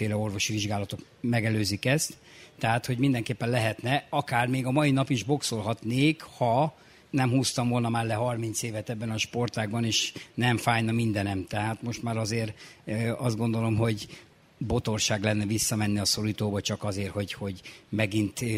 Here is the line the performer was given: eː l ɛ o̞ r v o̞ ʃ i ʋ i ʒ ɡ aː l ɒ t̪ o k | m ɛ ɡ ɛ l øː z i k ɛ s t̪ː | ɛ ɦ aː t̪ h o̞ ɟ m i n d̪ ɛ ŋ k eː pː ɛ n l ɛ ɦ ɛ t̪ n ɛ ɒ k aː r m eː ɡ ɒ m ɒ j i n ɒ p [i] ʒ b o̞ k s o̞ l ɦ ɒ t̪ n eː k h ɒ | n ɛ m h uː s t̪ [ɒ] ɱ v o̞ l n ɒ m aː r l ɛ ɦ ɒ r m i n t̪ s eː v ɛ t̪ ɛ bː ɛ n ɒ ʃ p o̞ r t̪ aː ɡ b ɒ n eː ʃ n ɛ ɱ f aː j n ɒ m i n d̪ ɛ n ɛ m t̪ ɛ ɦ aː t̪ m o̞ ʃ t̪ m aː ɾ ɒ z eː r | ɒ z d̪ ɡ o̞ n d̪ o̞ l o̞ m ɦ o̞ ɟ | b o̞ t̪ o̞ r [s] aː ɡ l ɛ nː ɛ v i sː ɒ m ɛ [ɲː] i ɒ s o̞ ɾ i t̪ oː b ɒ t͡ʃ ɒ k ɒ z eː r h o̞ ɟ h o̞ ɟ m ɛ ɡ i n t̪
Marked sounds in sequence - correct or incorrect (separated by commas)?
correct, correct, incorrect, incorrect